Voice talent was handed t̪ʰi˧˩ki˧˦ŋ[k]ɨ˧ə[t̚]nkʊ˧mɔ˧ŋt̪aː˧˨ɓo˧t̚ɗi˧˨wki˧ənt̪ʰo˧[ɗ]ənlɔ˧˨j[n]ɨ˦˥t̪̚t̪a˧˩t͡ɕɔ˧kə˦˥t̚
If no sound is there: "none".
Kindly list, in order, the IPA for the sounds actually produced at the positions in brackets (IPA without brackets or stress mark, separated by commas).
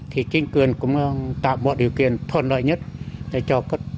k, none, none, ɲ